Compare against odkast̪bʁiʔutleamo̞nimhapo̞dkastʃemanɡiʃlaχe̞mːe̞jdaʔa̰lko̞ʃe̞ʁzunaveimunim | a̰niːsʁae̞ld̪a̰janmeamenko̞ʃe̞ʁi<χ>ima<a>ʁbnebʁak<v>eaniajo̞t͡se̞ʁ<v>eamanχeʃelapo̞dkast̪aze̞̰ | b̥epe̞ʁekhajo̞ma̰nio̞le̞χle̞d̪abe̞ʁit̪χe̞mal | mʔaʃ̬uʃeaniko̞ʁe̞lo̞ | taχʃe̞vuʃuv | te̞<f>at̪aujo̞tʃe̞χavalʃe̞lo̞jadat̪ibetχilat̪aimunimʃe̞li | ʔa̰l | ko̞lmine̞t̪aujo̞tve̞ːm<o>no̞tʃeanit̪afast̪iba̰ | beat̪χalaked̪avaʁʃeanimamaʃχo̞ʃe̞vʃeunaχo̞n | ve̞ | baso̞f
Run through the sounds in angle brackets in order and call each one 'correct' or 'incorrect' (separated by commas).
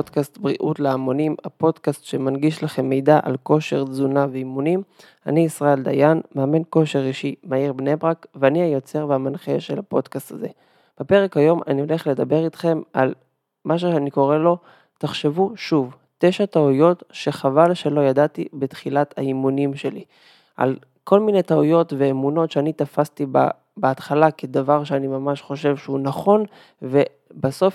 incorrect, incorrect, correct, correct, incorrect, incorrect